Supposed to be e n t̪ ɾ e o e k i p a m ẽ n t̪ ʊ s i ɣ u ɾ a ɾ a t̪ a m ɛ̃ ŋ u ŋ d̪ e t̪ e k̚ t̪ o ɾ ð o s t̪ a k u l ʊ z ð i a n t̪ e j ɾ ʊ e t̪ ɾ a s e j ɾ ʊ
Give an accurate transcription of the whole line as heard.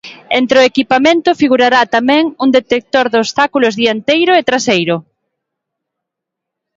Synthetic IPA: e n t̪ ɾ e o e k i p a m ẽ n t̪ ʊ f i ɣ u ɾ a ɾ a t̪ a m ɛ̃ ŋ u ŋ d̪ e t̪ e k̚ t̪ o ɾ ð o s t̪ a k u l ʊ z ð i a n t̪ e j ɾ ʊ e t̪ ɾ a s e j ɾ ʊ